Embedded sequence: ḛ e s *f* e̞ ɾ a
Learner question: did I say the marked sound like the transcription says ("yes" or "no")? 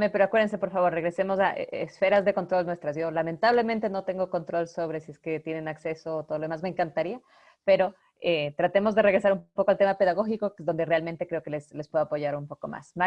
yes